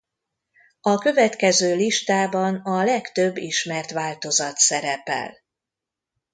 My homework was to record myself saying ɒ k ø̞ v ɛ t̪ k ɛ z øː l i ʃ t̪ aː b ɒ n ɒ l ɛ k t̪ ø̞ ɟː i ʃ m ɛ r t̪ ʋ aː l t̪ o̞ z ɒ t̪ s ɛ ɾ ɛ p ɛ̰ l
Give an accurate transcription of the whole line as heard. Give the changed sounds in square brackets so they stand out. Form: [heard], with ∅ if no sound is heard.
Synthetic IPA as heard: ɒ k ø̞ v ɛ t̪ k ɛ z øː l i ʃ t̪ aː b ɒ n ɒ l ɛ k t̪ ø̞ [bː] i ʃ m ɛ r t̪ ʋ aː l t̪ o̞ z ɒ t̪ s ɛ ɾ ɛ p ɛ̰ l